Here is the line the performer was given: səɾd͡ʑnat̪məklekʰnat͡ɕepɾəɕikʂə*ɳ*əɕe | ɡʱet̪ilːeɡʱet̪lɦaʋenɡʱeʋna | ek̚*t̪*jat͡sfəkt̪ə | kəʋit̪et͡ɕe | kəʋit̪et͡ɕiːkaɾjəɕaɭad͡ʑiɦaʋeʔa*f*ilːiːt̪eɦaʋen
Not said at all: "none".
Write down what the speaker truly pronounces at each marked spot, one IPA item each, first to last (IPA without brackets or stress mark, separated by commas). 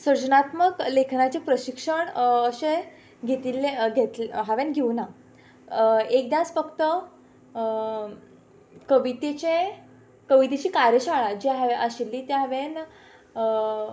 ɳ, d̪, ɕ